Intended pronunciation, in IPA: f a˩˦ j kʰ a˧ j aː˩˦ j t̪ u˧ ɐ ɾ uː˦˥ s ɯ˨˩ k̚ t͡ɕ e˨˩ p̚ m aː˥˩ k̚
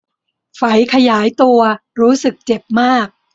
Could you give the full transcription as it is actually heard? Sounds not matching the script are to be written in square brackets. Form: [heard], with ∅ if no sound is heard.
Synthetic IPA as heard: f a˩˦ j kʰ a˧ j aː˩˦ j t̪ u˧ ɐ ɾ uː˦˥ s ɯ˨˩ k̚ t͡ɕ e˨˩ p̚ m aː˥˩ k̚

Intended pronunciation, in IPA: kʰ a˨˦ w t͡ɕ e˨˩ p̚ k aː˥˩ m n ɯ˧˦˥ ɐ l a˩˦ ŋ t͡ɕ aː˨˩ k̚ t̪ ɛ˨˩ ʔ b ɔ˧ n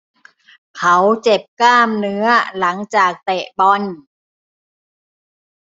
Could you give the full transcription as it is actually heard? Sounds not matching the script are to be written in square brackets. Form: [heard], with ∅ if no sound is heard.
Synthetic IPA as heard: kʰ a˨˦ w t͡ɕ e˨˩ p̚ k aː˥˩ m n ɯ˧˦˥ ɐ l a˩˦ ŋ t͡ɕ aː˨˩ k̚ t̪ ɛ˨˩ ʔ b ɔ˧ n

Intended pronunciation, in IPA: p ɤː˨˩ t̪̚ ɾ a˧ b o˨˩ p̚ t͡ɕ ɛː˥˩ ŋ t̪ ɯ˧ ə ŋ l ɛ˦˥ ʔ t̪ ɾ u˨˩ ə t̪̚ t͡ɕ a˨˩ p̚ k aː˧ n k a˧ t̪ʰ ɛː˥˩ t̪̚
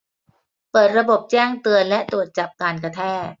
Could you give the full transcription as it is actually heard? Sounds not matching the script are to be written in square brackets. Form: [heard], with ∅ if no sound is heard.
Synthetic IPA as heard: p ɤː˨˩ t̪̚ ɾ a˧ b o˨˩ p̚ t͡ɕ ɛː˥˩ ŋ t̪ ɯ˧ ə [n] l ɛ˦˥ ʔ t̪ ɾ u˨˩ ə t̪̚ t͡ɕ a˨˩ p̚ k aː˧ n k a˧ t̪ʰ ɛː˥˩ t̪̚

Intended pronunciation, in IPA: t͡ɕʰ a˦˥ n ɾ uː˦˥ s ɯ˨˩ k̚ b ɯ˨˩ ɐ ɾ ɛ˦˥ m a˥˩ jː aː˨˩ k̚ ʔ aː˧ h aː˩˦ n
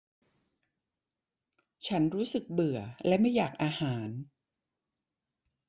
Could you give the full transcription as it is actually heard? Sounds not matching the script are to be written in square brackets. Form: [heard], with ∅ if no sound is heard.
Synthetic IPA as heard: t͡ɕʰ a˦˥ n ɾ uː˦˥ s ɯ˨˩ k̚ b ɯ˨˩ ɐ [l] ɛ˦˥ m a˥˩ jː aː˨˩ k̚ ʔ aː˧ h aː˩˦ n

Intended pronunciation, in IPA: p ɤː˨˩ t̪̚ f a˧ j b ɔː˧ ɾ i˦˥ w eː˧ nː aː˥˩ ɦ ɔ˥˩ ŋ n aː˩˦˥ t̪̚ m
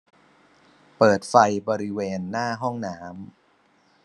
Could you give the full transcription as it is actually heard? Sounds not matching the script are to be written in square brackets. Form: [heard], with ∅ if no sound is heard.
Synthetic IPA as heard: p ɤː˨˩ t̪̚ f a˧ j b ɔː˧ ɾ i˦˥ w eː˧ nː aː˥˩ ɦ ɔ˥˩ ŋ n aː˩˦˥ [∅] m

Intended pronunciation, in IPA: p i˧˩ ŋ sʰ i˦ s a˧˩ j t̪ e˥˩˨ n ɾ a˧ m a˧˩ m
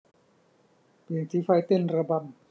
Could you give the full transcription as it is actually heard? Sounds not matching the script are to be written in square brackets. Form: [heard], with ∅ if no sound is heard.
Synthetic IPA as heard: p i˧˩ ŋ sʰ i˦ [f] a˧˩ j t̪ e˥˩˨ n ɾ a˧ [b] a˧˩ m

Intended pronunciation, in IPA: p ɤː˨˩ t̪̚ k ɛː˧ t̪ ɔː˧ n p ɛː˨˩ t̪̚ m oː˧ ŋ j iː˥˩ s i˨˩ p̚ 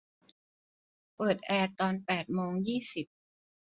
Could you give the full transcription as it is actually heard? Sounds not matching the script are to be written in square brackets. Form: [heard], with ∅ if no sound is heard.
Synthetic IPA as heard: p ɤː˨˩ t̪̚ [ʔ] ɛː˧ t̪ ɔː˧ n p ɛː˨˩ t̪̚ m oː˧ ŋ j iː˥˩ s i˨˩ p̚

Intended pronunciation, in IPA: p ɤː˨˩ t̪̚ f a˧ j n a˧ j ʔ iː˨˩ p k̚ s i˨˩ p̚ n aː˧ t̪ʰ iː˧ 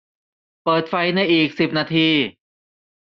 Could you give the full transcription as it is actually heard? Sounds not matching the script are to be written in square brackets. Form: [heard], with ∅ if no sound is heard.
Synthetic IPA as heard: p ɤː˨˩ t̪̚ f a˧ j n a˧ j ʔ iː˨˩ [∅] k̚ s i˨˩ p̚ n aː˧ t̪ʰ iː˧

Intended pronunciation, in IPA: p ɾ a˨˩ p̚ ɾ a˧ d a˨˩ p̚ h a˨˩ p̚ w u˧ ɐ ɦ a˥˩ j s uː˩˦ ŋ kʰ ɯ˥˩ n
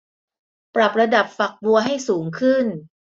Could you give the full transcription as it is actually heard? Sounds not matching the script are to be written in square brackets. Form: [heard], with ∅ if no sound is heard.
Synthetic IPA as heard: p ɾ a˨˩ p̚ ɾ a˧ d a˨˩ p̚ [f] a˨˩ [k̚] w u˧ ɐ ɦ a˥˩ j s uː˩˦ ŋ kʰ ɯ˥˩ n

